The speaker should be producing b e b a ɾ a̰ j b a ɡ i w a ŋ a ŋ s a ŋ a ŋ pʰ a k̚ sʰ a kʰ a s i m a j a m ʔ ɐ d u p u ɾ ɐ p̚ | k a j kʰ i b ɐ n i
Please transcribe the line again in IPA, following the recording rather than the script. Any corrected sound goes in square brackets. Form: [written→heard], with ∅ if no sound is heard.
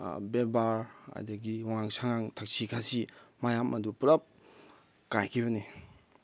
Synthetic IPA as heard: b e b a ɾ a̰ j [b→d] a ɡ i w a ŋ a ŋ s a ŋ a ŋ [pʰ→tʰ] a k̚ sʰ [a→i] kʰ a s i m a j a m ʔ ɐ d u p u ɾ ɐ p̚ | k a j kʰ i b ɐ n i